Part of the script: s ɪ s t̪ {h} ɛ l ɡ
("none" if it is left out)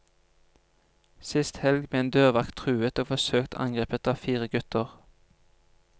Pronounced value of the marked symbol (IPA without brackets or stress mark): h